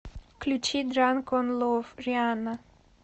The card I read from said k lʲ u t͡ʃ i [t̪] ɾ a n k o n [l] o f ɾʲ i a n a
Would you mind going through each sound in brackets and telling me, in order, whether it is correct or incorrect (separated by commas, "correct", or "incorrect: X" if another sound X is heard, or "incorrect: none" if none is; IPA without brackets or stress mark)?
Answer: incorrect: d̪, correct